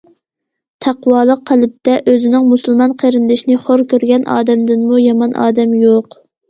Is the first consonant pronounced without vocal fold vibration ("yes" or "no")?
yes